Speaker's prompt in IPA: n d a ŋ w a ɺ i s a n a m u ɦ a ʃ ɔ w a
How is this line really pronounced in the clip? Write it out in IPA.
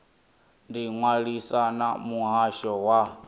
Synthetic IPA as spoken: n d i ŋ w a ɺ i s a n a m u ɦ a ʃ ɔ w a